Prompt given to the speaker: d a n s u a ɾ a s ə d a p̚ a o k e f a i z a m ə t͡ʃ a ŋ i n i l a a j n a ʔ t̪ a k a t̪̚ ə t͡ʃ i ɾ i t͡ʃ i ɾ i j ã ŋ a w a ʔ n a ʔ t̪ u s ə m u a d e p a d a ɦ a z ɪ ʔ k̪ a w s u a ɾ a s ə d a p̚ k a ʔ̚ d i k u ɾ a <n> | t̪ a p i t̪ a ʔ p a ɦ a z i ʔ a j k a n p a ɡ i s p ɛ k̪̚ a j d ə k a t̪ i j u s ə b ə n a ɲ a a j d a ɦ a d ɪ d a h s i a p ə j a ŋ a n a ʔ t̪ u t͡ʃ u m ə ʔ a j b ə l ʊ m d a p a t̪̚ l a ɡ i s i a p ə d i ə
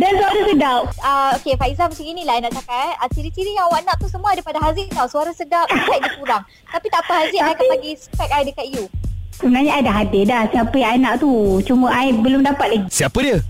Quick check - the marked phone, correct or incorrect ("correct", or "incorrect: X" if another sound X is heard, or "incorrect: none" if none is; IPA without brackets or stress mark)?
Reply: incorrect: ŋ